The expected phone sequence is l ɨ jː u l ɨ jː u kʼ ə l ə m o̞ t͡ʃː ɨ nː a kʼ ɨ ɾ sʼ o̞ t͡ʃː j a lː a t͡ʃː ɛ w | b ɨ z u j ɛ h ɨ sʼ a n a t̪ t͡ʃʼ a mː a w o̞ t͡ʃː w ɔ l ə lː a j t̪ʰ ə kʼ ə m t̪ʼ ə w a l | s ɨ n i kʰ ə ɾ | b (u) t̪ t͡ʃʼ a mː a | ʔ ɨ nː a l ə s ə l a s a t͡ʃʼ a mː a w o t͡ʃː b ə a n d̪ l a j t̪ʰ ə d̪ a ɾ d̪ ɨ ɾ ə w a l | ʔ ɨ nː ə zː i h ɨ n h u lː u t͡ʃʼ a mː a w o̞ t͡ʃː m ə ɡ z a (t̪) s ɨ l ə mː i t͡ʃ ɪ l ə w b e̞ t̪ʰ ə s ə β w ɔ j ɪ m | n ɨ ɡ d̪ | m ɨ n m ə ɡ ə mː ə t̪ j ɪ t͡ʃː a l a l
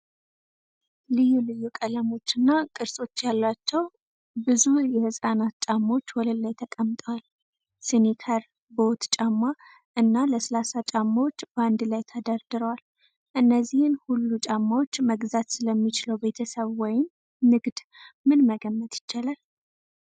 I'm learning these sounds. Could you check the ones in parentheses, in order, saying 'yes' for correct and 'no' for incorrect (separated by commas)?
no, yes